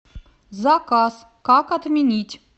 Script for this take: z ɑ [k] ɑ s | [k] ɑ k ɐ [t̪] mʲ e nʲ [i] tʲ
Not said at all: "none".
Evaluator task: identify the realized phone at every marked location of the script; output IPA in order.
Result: k, k, t̪, i

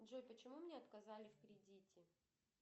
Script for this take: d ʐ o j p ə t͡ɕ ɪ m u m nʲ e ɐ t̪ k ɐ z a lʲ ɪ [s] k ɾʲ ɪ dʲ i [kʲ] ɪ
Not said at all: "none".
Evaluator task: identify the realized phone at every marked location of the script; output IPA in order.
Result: f, tʲ

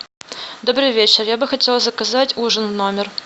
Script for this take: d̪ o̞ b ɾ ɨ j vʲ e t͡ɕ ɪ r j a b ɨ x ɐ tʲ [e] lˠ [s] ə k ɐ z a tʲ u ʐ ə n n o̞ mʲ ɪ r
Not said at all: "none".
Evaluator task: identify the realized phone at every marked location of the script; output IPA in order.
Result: e, z

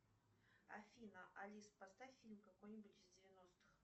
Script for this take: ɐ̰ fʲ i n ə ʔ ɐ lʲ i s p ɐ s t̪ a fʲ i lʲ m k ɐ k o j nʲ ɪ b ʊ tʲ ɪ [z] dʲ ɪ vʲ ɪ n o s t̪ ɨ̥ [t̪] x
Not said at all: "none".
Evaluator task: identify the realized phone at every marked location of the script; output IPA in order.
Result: z, none

